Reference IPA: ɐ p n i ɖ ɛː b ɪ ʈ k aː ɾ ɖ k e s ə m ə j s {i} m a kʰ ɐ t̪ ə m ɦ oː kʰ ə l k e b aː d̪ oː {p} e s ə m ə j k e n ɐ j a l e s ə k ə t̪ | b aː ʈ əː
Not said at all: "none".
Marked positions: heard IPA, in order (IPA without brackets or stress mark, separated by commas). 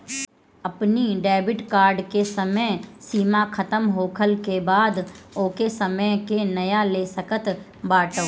iː, k